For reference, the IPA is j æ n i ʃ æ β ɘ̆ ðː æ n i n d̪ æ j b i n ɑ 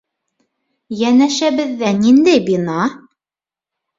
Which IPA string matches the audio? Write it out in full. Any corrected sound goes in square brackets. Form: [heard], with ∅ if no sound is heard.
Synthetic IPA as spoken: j æ n [æ] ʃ æ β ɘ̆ ðː æ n i n d̪ æ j b i n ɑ